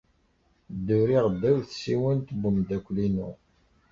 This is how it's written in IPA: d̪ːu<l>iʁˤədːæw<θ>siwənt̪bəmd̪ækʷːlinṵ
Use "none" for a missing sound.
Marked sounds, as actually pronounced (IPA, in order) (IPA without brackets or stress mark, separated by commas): ɾ, θ